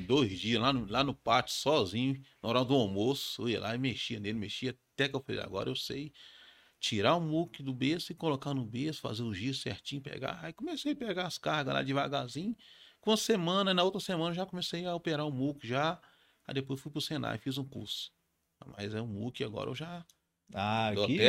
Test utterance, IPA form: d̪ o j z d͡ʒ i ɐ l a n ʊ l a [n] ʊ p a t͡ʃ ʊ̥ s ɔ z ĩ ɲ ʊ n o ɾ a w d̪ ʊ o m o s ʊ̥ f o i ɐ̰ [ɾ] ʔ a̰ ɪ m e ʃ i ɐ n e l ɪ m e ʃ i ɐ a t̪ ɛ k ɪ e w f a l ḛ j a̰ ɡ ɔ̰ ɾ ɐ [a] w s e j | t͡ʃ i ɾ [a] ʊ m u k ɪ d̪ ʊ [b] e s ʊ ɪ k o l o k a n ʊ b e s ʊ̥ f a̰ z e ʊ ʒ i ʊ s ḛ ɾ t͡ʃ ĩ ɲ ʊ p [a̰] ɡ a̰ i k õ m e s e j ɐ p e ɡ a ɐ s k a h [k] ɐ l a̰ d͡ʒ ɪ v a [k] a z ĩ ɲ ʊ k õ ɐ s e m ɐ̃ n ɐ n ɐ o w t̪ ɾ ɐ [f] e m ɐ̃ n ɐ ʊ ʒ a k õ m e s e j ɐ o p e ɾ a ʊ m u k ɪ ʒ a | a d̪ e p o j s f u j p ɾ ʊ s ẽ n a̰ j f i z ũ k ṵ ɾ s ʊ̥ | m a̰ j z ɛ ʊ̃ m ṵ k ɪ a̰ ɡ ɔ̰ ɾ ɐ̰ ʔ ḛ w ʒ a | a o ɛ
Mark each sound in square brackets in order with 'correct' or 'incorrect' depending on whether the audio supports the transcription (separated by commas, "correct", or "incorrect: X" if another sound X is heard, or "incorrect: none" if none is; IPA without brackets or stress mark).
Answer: correct, incorrect: l, incorrect: e, correct, correct, incorrect: ḛ, incorrect: ɡ, incorrect: ɡ, incorrect: s